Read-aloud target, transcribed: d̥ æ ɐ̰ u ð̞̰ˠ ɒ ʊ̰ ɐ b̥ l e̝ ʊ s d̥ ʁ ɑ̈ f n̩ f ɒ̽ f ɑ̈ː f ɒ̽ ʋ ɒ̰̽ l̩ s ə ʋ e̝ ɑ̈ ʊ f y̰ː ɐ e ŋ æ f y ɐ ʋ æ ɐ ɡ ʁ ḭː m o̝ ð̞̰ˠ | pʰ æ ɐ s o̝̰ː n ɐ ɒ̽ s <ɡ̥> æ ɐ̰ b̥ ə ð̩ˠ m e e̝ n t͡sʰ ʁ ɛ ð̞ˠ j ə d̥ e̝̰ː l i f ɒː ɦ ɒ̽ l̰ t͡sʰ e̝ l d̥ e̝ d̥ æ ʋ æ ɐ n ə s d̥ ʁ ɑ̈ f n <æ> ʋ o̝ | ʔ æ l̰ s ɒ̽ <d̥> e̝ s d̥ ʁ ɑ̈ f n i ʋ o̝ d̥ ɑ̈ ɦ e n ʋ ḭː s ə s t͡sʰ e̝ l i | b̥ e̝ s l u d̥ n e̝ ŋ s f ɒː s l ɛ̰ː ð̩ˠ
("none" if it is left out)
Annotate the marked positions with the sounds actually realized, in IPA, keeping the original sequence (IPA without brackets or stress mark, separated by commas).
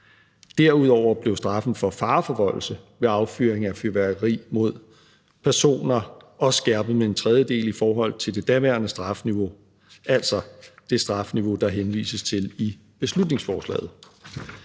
ɡ̥, i, d̥